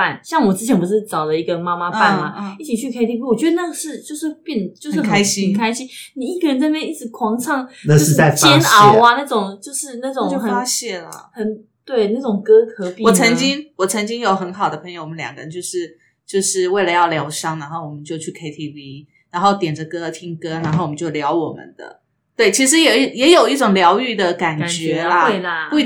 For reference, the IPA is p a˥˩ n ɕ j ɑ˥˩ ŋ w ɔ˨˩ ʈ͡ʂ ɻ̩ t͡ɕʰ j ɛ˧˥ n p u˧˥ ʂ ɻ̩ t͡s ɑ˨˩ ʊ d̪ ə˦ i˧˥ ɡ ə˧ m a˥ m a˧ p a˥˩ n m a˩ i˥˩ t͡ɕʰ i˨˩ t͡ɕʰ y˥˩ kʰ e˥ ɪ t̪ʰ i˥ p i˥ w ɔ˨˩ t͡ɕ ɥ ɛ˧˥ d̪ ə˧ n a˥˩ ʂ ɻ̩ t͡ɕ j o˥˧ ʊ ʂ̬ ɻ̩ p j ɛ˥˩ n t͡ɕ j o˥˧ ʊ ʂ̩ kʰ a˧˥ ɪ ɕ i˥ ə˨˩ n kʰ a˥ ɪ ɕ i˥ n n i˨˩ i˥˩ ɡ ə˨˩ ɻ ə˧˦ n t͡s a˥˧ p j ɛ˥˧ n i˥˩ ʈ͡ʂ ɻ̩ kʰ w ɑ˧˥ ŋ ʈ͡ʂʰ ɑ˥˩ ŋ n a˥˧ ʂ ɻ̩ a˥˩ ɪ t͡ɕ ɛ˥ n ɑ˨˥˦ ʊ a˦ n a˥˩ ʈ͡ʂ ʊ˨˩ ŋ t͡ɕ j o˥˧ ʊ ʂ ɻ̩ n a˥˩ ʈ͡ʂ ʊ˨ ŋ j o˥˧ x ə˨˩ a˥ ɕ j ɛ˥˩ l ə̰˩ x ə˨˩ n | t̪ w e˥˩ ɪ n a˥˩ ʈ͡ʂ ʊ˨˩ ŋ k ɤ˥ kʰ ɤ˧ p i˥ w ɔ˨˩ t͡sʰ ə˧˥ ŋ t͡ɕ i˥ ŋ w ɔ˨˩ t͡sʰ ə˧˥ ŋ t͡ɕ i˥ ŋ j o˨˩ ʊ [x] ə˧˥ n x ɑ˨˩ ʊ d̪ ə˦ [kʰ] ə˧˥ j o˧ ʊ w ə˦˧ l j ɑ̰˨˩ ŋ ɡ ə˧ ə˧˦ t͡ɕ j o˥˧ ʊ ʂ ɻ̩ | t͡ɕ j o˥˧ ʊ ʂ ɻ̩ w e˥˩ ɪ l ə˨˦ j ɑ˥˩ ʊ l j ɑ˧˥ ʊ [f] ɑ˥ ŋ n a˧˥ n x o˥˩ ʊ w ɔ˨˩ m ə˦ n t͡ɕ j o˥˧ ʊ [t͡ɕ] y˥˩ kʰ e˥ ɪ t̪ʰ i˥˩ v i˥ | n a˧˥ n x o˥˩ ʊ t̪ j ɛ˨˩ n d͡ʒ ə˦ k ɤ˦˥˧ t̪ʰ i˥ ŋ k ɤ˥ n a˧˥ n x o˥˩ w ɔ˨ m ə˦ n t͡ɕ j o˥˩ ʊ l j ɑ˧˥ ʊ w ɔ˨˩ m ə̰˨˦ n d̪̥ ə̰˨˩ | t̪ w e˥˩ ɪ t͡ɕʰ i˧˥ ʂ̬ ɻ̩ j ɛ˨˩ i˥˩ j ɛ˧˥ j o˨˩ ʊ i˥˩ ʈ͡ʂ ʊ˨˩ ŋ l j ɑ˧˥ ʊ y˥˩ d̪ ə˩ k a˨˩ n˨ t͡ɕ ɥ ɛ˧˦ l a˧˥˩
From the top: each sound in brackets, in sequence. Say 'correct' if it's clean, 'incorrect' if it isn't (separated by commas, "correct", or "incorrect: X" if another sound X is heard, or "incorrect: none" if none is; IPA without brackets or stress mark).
correct, incorrect: pʰ, incorrect: ʂ, incorrect: t͡ɕʰ